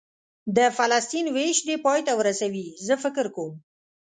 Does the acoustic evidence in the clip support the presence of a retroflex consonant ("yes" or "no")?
no